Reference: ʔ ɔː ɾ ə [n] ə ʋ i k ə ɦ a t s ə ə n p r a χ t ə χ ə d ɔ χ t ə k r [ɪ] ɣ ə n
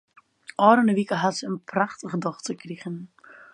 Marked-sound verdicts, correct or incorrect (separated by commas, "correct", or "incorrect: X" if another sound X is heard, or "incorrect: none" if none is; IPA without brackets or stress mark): correct, incorrect: i